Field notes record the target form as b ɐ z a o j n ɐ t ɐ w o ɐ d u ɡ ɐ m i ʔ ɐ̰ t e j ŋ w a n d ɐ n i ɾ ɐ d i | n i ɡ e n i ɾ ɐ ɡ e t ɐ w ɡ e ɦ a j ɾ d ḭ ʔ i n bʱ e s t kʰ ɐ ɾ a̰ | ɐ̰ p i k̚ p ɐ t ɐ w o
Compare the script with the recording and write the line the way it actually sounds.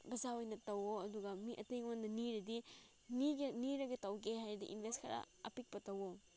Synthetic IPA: b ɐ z a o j n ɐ t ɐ w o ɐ d u ɡ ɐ m i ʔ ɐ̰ t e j ŋ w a n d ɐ n i ɾ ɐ d i | n i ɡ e n i ɾ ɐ ɡ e t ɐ w ɡ e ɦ a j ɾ d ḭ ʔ i n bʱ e s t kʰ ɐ ɾ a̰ | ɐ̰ p i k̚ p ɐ t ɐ w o